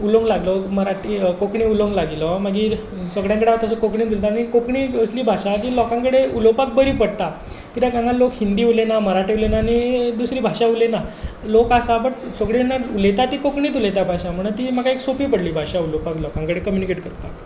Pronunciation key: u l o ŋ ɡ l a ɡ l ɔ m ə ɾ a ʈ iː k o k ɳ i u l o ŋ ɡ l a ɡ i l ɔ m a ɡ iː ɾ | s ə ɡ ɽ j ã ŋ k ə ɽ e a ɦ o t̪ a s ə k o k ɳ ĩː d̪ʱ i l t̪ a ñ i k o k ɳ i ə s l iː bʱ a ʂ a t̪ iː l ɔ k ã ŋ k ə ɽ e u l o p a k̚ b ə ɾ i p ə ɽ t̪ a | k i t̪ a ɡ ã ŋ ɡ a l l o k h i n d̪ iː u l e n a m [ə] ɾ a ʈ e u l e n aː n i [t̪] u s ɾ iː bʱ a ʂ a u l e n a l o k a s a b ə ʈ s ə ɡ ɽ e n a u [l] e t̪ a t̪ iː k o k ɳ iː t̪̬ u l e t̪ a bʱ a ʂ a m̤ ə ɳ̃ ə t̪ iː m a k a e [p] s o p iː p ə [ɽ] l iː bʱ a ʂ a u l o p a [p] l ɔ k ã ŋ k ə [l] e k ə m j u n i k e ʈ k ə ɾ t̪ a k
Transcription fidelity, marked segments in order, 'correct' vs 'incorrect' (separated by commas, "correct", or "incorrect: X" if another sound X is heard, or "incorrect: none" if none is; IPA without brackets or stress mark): correct, incorrect: d̪, correct, incorrect: k, correct, incorrect: k, incorrect: ɽ